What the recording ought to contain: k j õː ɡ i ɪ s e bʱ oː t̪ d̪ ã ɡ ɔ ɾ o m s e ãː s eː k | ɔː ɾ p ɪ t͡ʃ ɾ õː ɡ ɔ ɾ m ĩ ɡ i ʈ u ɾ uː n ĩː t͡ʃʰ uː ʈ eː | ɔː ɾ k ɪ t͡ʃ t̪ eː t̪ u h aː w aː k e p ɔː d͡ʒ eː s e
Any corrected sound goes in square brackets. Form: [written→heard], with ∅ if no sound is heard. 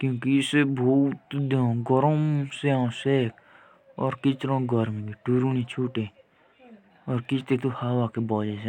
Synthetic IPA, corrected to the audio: k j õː [ɡ→k] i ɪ s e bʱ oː t̪ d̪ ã ɡ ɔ ɾ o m s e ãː s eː k | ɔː ɾ [p→k] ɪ t͡ʃ ɾ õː ɡ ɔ ɾ m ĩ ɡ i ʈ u ɾ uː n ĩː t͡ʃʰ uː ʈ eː | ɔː ɾ k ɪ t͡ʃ t̪ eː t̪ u h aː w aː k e [p→b] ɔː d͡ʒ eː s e

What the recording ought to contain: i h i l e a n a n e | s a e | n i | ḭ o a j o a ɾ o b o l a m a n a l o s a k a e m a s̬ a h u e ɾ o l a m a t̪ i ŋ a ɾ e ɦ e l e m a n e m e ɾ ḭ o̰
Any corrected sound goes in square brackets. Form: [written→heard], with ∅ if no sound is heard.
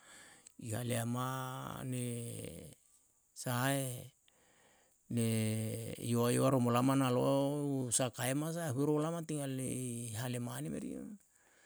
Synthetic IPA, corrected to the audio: i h [i→a] l e a [n→m] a n e | s a e | n [i→e] | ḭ o a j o a ɾ o [b→m] o l a m a n a l o s a k a e m a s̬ a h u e ɾ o l a m a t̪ i ŋ a [ɾ→l] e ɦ [e→a] l e m a n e m e ɾ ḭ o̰

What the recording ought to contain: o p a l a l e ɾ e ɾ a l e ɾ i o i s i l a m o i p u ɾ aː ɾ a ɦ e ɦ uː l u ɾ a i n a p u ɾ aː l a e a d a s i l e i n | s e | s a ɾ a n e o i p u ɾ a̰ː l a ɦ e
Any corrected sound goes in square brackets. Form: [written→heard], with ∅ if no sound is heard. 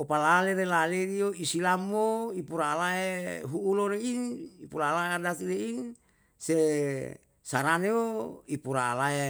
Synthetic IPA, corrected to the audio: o p a l a l e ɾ e [ɾ→l] a l e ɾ i o i s i l a m o i p u ɾ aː [ɾ→l] a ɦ e ɦ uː l [u→o] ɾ [a→e] i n [a→i] p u ɾ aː l a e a d a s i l e i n | s e | s a ɾ a n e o i p u ɾ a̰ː l a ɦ e

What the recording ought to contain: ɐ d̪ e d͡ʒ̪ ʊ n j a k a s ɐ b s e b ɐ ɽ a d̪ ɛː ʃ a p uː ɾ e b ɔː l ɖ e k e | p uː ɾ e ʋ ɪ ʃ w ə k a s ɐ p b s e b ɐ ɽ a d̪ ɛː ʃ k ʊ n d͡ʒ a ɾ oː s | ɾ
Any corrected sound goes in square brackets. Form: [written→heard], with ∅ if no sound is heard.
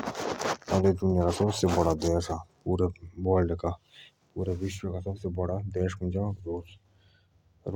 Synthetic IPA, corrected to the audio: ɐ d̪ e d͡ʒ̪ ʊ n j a k a s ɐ b s e b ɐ ɽ a d̪ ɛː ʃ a p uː ɾ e b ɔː l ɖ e k [e→a] | p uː ɾ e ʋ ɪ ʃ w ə k a s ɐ [p→∅] b s e b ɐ ɽ a d̪ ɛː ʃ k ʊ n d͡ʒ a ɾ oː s | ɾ

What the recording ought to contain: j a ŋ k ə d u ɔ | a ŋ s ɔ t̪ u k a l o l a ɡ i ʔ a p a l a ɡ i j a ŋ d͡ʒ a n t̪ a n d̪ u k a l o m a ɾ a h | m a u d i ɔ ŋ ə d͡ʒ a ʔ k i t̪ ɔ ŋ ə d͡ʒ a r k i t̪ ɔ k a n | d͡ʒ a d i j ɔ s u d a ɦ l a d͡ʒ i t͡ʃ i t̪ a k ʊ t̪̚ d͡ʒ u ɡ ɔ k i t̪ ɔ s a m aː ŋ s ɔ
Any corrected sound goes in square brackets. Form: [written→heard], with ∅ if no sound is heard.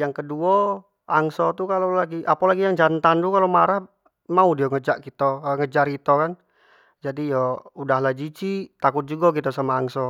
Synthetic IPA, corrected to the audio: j a ŋ k ə d u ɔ | a ŋ s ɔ t̪ u k a l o l a ɡ i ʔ a p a l a ɡ i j a ŋ d͡ʒ a n t̪ a n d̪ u k a l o m a ɾ a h | m a u d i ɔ ŋ ə d͡ʒ a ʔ k i t̪ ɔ ŋ ə d͡ʒ a r k i t̪ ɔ k a n | d͡ʒ a d i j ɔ [s→∅] u d a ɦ l a d͡ʒ i t͡ʃ i t̪ a k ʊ t̪̚ d͡ʒ u ɡ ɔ k i t̪ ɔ s a m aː ŋ s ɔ

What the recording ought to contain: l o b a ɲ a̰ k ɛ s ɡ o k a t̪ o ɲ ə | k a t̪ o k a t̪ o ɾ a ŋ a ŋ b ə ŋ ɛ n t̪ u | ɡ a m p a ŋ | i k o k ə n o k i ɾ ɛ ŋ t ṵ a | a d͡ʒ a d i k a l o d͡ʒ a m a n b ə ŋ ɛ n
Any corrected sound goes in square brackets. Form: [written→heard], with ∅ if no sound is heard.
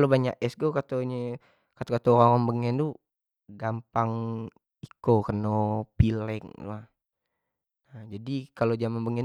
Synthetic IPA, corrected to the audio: l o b a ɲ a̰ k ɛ s ɡ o k a t̪ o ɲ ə | k a t̪ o k a t̪ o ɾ a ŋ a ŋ b ə ŋ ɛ n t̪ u | ɡ a m p a ŋ | i k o k ə n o [k→p] i [ɾ→l] ɛ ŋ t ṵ a | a d͡ʒ a d i k a l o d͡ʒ a m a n b ə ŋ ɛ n

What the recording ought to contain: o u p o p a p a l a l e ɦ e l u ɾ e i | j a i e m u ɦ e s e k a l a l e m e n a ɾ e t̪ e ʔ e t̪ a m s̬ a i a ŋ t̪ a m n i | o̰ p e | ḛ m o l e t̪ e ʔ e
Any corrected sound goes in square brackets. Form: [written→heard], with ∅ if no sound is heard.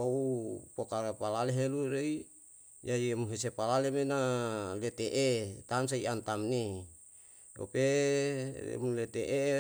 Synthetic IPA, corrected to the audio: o u p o [p→k] a p a l a l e ɦ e l u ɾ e i | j a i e m u ɦ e s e [k→p] a l a l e m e n a [ɾ→l] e t̪ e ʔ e t̪ a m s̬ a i a [ŋ→n] t̪ a m n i | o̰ p e | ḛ m [o→u] l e t̪ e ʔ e

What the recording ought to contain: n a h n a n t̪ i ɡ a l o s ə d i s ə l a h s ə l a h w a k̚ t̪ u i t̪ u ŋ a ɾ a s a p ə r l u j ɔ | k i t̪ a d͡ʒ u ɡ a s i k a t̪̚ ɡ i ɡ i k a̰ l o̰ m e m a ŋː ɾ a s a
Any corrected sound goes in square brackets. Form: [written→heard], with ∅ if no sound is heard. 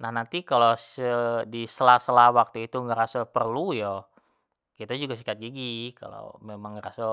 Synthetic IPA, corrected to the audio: n a h n a n t̪ i [ɡ→k] a l o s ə d i s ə l a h s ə l a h w a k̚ t̪ u i t̪ u ŋ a ɾ a s a p ə r l u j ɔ | k i t̪ a d͡ʒ u ɡ a s i k a t̪̚ ɡ i ɡ i k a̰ l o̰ m e m a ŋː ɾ a s a

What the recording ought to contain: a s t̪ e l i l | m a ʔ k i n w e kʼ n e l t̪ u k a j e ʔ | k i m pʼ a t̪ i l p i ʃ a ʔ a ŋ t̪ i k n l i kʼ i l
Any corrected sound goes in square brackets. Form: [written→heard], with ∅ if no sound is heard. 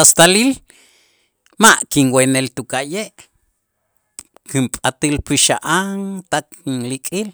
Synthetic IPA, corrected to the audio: a s t̪ [e→a] l i l | m a ʔ k i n w e [kʼ→∅] n e l t̪ u k a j e ʔ | k i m pʼ a t̪ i l p i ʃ a ʔ a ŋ t̪ [i→a] k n l i kʼ i l

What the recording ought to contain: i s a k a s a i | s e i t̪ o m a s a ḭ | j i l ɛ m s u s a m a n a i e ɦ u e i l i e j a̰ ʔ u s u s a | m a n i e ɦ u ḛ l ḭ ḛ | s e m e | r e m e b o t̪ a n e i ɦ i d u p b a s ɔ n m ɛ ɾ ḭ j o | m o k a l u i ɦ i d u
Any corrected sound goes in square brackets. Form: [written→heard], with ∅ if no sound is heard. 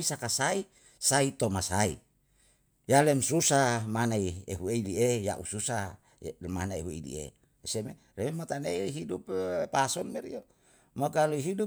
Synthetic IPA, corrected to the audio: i s a k a s a i | s [e→a] i t̪ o m a s a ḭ | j [i→a] l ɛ m s u s a m a n a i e ɦ u e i l i e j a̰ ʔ u s u s a | m a n [i→a] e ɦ u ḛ l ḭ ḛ | s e m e | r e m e [b→m] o t̪ a n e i ɦ i d u p [b→p] a s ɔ n m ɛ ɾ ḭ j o | m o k a l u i ɦ i d u

